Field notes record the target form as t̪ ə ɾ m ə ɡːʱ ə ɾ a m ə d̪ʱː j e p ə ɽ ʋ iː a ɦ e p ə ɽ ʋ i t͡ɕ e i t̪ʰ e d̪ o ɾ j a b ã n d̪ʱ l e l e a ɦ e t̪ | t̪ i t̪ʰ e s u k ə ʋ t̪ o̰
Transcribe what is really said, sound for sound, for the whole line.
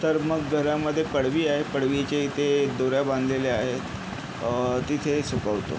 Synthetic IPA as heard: t̪ ə ɾ m ə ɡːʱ ə ɾ a m ə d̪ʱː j e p ə ɽ ʋ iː a ɦ e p ə ɽ ʋ i t͡ɕ e i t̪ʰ e d̪ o ɾ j a b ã n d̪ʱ l e l e a ɦ e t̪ | t̪ i t̪ʰ e s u k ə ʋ t̪ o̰

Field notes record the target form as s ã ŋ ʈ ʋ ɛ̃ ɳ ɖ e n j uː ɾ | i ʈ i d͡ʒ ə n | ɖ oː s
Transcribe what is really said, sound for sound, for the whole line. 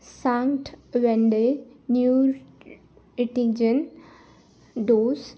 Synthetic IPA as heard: s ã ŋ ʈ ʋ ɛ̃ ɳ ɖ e n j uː ɾ | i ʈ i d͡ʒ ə n | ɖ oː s

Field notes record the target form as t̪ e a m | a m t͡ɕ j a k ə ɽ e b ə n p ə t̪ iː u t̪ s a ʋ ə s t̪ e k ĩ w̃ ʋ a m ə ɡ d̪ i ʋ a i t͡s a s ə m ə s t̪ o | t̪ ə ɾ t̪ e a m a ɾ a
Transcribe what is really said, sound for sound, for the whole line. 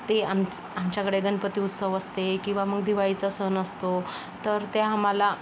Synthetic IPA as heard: t̪ e a m | a m t͡ɕ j a k ə ɽ e ɡ ə n p ə t̪ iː u t̪ s ə ʋ ə s t̪ e k ĩ w̃ ʋ a m ə ɡ d̪ i ʋ a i t͡s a s ə n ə s t̪ o | t̪ ə ɾ t̪ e a m a l a

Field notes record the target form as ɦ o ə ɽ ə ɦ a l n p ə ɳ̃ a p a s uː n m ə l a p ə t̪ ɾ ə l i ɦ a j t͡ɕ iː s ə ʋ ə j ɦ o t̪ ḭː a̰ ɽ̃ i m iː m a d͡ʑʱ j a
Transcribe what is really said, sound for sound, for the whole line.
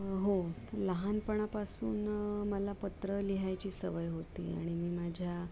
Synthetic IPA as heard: ɦ o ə l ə ɦ a n p ə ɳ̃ a p a s uː n m ə l a p ə t̪ ɾ ə l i ɦ a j t͡ɕ iː s ə ʋ ə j ɦ o t̪ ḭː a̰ ɽ̃ i m iː m a d͡ʑʱ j a

